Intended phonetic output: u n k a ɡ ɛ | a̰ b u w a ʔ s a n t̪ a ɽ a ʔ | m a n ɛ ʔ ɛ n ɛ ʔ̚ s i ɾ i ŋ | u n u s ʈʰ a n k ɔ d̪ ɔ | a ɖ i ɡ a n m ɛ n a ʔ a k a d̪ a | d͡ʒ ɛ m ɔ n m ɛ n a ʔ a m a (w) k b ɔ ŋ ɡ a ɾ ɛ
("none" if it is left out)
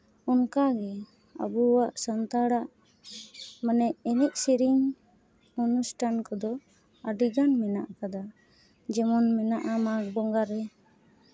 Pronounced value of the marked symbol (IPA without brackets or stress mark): none